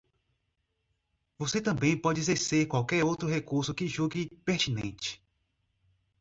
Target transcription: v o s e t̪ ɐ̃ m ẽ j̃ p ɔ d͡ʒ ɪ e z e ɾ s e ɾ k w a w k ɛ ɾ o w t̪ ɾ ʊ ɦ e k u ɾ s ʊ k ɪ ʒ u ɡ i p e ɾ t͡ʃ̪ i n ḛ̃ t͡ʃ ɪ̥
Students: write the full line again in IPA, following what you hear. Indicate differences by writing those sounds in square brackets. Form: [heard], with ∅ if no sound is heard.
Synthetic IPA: v o s e t̪ ɐ̃ [b] ẽ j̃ p ɔ d͡ʒ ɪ e z e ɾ s e ɾ k w a w k ɛ ɾ o w t̪ ɾ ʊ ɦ e k u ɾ s ʊ k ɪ ʒ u ɡ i p e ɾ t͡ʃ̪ i n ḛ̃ t͡ʃ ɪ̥